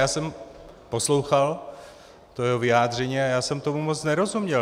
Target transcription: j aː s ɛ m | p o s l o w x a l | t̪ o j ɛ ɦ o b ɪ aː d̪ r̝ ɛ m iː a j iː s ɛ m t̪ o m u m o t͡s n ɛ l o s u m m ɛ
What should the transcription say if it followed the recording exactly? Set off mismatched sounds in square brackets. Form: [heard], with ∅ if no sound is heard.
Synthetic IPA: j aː s ɛ m | p o s l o w x a l | t̪ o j ɛ ɦ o [v] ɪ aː d̪ r̝ ɛ [ɲ] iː a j [aː] s ɛ m t̪ o m u m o t͡s n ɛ [ɾ] o [z] u m [ɲ] ɛ